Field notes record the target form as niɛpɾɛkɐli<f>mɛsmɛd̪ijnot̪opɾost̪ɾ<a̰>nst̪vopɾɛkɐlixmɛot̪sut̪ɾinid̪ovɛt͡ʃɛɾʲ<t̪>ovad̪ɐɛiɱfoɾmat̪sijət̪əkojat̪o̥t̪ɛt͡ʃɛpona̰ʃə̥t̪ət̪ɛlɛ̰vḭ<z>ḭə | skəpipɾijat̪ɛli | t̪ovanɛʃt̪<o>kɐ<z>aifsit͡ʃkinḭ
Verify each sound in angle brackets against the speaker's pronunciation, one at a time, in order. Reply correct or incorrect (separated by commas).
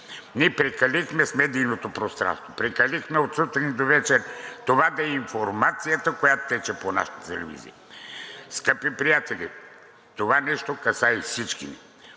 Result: incorrect, correct, correct, correct, correct, incorrect